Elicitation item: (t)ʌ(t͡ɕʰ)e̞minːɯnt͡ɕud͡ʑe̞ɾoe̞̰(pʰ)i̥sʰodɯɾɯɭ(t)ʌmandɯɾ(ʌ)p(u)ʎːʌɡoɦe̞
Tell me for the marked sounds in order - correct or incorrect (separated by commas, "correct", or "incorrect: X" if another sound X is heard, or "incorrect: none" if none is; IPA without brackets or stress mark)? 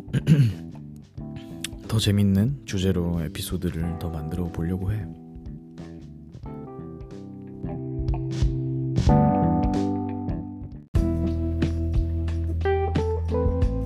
correct, incorrect: t͡ɕ, correct, correct, correct, incorrect: o